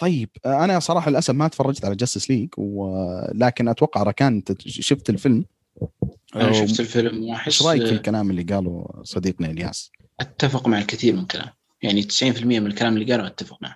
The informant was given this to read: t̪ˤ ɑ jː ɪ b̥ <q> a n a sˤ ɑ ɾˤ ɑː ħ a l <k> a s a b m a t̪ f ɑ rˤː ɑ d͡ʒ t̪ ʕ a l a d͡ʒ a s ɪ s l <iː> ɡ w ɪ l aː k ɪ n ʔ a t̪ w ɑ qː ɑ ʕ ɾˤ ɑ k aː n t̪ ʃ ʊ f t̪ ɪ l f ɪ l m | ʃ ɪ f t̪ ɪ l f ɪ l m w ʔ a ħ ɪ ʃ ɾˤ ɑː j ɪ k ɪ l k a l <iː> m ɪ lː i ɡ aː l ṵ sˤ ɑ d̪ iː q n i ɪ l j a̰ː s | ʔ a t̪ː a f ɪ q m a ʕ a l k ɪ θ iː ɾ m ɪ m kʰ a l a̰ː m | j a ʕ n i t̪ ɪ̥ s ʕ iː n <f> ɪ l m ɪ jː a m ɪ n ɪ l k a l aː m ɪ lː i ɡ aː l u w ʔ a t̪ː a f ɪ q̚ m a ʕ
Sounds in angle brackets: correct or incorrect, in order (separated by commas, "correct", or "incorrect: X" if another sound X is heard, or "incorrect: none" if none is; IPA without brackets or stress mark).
incorrect: ʔ, incorrect: ʔ, correct, incorrect: aː, correct